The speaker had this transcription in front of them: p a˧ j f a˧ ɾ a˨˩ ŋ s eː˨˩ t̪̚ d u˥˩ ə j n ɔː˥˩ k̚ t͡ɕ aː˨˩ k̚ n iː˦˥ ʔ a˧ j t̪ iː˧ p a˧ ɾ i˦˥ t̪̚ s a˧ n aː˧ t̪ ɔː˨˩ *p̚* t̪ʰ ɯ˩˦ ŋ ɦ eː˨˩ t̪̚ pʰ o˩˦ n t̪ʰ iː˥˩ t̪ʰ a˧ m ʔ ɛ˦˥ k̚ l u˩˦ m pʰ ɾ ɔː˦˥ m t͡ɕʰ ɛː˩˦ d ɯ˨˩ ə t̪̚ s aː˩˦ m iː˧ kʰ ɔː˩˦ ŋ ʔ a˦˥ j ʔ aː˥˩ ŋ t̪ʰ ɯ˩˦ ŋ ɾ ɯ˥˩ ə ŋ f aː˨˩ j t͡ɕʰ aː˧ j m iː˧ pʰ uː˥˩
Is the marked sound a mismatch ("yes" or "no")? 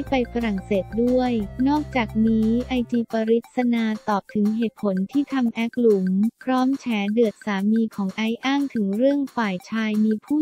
no